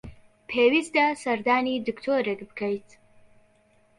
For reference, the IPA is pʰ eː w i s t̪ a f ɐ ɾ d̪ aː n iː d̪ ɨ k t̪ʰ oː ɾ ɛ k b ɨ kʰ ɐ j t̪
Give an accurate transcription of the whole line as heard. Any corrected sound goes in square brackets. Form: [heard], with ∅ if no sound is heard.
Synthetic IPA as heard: pʰ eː w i s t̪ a [s] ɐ ɾ d̪ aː n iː d̪ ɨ k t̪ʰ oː ɾ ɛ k b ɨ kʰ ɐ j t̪